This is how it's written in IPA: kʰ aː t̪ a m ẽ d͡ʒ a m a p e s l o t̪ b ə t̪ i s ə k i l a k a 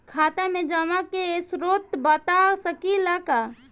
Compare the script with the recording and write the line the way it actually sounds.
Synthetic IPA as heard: kʰ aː t̪ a m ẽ d͡ʒ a m a k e s ɾ o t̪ b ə t̪ a s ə k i l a k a